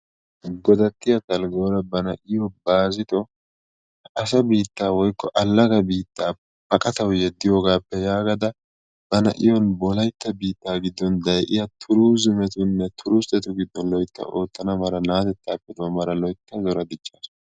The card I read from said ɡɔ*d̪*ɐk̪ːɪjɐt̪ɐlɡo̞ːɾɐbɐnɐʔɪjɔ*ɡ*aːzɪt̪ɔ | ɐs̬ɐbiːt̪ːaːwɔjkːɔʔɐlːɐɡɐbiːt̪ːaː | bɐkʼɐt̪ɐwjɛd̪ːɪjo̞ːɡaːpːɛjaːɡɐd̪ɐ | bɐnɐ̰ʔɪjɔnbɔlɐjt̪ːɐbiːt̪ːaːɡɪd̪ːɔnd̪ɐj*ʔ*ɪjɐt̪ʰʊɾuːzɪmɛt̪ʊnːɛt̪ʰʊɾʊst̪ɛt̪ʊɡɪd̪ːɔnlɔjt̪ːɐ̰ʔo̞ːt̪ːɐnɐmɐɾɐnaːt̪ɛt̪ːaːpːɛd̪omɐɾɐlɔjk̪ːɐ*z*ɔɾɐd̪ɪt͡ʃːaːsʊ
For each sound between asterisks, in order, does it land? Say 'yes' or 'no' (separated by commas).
yes, no, yes, yes